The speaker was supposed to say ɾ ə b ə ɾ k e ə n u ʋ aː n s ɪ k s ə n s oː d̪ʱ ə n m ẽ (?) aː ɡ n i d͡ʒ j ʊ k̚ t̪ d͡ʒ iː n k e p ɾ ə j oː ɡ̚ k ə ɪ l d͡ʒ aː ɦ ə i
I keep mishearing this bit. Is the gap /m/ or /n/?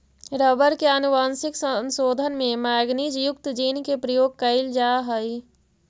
m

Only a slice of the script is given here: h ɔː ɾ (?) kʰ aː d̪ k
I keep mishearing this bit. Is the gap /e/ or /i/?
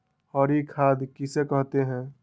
i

